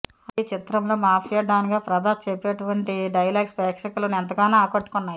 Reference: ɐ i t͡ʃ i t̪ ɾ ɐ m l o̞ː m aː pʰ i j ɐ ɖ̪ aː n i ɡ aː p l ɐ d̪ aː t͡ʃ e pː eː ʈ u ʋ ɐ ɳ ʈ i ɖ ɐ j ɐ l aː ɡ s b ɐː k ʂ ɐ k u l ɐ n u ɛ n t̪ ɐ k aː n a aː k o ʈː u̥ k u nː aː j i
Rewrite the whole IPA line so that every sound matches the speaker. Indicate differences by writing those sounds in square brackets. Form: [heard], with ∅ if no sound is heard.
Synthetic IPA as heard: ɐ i t͡ʃ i t̪ ɾ ɐ m l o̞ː m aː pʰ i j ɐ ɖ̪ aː n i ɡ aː p [ɾ] ɐ d̪ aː t͡ʃ e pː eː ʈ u ʋ ɐ ɳ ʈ i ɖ ɐ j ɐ l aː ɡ s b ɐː k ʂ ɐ k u l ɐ n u ɛ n t̪ ɐ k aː n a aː k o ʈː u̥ k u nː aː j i